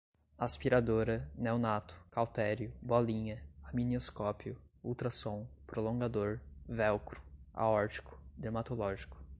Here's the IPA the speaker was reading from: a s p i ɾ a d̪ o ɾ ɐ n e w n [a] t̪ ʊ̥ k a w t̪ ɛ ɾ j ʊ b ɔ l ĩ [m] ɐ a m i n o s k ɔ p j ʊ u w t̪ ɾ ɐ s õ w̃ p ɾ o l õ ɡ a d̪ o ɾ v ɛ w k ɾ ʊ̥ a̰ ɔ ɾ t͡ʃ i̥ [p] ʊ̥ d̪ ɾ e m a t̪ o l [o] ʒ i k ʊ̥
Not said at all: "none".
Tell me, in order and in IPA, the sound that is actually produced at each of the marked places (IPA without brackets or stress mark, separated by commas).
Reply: a, ɲ, k, ɔ